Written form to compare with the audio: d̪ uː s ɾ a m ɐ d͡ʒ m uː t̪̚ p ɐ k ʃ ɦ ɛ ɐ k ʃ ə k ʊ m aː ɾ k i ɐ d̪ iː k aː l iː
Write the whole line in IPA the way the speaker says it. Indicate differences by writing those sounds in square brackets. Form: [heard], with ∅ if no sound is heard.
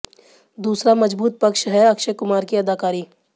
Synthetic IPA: d̪ uː s ɾ a m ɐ d͡ʒ [b] uː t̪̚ p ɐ k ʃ ɦ ɛ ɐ k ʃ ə k ʊ m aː ɾ k i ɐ d̪ [aː] k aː [ɾ] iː